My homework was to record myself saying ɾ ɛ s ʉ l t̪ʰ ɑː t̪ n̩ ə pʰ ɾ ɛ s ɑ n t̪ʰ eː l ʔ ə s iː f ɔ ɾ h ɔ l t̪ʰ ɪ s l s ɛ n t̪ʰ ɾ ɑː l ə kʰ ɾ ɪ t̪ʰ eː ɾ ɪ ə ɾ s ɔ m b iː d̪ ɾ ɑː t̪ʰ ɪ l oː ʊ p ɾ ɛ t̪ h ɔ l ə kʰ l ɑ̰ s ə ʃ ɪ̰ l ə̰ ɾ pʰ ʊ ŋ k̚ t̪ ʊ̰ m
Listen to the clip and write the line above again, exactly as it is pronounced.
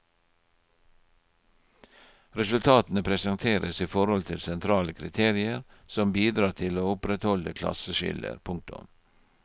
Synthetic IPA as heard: ɾ ɛ s ʉ l t̪ʰ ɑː t̪ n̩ ə pʰ ɾ ɛ s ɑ n t̪ʰ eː ɾ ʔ ə s iː f ɔ ɾ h ɔ l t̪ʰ ɪ l s ɛ n t̪ʰ ɾ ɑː l ə kʰ ɾ ɪ t̪ʰ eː ɾ ɪ ə ɾ s ɔ m b iː d̪ ɾ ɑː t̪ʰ ɪ l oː ʊ p ɾ ɛ t̪ h ɔ l ə kʰ l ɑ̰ s ə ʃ ɪ̰ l ə̰ ɾ pʰ ʊ ŋ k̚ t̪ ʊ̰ m